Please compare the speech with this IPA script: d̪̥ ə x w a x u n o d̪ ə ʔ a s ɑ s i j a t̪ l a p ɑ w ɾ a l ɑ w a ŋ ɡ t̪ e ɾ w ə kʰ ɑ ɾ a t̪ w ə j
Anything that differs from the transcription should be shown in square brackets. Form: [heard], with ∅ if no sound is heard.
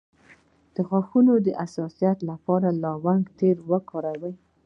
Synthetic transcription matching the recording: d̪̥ ə x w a x u n o d̪ ə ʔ a s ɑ s i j a t̪ l a p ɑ [∅] ɾ a l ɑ w a ŋ ɡ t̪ e ɾ w ə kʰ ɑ ɾ a [∅] w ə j

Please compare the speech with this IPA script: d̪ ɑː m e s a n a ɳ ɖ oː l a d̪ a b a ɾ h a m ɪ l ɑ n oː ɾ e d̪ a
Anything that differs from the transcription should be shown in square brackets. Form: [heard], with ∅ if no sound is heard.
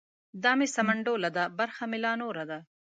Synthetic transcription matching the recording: d̪ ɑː m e s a [m] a ɳ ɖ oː l a d̪ a b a ɾ [x] a m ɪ l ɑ n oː ɾ [a] d̪ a

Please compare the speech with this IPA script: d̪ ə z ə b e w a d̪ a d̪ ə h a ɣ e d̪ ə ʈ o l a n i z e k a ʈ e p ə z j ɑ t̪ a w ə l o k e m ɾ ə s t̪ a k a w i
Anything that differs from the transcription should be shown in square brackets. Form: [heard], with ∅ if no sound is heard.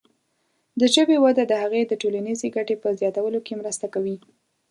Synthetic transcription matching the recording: d̪ ə [ʒ] ə b e w a d̪ a d̪ ə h a ɣ e d̪ ə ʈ o l a n i z e [ɡ] a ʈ e p ə z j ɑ t̪ a w ə l o k e m ɾ ə s t̪ a k a w i

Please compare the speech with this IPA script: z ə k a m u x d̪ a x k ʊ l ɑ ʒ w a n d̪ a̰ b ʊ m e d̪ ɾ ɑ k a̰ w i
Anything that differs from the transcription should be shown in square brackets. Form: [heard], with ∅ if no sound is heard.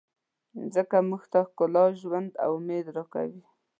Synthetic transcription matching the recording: z ə k a m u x [t̪] a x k ʊ l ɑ ʒ w a n d̪ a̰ [w] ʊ m e d̪ ɾ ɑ k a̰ w i

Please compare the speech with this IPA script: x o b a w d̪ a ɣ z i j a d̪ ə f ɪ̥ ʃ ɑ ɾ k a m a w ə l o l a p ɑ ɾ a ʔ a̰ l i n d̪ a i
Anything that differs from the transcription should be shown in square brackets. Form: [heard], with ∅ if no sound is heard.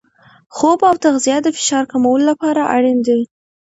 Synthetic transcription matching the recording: x o b a w [t̪] a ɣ z i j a d̪ ə f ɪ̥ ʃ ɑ ɾ k a m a w ə l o l a p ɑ ɾ a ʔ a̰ [ɽ] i n d̪ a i

